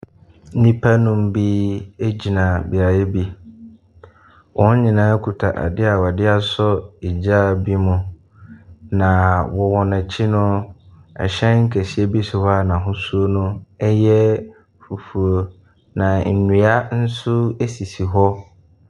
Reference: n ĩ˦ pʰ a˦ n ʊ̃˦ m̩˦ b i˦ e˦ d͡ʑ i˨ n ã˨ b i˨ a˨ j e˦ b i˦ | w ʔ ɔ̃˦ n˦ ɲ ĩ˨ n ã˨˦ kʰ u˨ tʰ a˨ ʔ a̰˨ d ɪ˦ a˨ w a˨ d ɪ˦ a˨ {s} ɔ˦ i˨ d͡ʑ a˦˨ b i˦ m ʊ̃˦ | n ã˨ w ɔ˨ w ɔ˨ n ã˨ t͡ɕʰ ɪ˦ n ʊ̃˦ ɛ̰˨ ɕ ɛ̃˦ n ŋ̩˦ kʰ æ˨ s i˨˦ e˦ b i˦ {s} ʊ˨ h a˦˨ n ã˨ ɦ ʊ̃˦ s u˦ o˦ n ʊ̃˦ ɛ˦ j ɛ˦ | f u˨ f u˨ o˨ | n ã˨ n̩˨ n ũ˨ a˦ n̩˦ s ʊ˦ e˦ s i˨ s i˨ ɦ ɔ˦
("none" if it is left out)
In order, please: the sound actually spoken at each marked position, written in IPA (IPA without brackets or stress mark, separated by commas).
s, s